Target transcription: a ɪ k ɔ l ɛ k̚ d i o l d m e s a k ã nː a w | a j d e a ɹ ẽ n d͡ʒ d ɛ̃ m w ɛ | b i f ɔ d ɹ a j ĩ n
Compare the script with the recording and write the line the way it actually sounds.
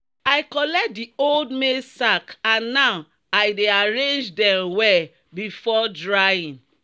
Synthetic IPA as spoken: a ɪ k ɔ l ɛ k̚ d i o l d m e s a k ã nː a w | a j d e a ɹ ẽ n d͡ʒ d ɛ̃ m w ɛ | b i f ɔ d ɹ a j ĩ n